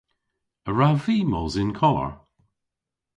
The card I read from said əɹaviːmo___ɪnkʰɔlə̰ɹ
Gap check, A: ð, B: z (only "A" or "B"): B